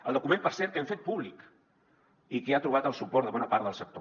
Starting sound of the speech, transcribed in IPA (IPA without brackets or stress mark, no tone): ə